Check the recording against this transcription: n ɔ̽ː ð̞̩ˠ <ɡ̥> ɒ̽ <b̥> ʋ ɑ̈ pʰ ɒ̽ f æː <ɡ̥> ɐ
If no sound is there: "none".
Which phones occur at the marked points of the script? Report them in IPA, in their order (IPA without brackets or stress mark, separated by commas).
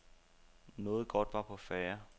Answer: ɡ̥, d̥, none